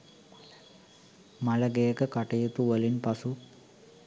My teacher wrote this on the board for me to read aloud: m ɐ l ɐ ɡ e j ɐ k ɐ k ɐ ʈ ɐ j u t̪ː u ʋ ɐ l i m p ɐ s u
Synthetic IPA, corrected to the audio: m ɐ l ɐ ɡ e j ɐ k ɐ k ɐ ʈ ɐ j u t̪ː u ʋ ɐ l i n p ɐ s u